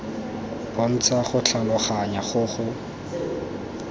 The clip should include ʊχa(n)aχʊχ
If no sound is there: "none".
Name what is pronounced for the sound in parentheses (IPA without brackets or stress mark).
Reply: ɲ